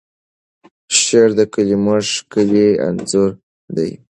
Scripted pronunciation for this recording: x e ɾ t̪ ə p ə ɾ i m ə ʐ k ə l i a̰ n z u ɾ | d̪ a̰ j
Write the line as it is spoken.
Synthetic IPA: ʃ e ɾ d̪ ə k ə l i m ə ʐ k ə l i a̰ n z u ɾ | d̪ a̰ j